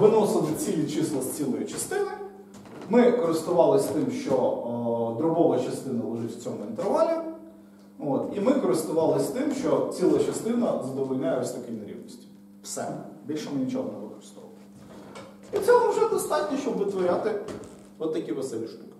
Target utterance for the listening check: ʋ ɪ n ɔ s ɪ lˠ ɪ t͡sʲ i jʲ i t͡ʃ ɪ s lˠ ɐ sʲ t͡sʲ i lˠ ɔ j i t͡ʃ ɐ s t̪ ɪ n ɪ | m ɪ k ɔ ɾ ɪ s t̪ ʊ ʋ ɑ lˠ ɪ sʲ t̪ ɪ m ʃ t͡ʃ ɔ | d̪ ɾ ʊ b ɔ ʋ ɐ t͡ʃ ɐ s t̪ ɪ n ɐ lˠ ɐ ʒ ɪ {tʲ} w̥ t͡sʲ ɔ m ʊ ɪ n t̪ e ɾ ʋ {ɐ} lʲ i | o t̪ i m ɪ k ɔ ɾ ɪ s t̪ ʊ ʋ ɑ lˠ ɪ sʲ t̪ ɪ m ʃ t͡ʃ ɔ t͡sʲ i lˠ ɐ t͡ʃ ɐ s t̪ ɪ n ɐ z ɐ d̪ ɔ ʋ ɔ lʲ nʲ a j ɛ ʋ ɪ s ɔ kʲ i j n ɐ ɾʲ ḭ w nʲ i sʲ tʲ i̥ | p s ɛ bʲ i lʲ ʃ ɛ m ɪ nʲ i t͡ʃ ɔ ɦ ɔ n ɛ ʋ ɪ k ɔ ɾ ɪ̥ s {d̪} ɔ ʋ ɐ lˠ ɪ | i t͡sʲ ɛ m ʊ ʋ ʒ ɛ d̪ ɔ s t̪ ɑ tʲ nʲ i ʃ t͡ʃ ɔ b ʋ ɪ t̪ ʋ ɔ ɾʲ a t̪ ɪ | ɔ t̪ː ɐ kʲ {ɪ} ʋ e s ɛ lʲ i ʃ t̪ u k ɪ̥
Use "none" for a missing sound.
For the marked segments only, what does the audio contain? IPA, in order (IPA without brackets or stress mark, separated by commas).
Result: tʲ, ɑ, t̪, i